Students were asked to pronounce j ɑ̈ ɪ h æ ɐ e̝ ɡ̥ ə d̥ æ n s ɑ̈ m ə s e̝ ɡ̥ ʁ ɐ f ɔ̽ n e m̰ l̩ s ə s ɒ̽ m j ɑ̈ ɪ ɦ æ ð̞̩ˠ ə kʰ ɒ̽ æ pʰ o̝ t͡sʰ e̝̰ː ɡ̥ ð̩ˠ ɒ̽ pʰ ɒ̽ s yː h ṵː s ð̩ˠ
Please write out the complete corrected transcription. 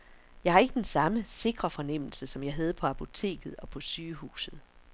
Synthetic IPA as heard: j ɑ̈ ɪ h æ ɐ e̝ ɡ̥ ə d̥ e n s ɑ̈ m ə s e̝ ɡ̥ ʁ ɐ f ɒ̽ n e m̰ l̩ s ə s ɒ̽ m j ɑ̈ ɪ ɦ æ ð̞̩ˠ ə pʰ ɒ̽ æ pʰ o̝ t͡sʰ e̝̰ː ɡ̥ ð̩ˠ ɒ̽ pʰ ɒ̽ s yː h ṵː s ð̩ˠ